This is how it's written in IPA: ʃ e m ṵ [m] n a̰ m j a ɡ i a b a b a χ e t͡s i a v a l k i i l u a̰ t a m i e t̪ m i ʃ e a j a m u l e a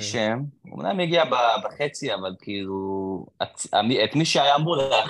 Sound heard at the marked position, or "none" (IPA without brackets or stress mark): m